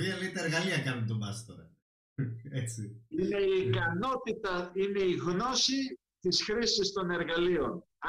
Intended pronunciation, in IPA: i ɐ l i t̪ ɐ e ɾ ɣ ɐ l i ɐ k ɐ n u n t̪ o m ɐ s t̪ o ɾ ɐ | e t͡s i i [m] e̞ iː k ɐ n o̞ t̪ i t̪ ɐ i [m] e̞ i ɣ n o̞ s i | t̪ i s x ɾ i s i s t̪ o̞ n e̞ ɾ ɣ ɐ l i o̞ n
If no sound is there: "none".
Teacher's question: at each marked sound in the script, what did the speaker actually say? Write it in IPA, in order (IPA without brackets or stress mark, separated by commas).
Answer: n, n